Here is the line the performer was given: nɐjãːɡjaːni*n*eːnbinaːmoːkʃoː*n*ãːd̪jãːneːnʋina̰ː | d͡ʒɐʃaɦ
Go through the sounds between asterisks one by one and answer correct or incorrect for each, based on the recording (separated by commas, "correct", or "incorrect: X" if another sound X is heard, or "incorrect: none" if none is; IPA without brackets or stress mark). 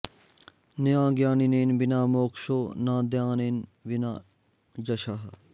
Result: correct, correct